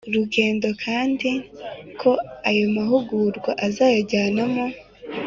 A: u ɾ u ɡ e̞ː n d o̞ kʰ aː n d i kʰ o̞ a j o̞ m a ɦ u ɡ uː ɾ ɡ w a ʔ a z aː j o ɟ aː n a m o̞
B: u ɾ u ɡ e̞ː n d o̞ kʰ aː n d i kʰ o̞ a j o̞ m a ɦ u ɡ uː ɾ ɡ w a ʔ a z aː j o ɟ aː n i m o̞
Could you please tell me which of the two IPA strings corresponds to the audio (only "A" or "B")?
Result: A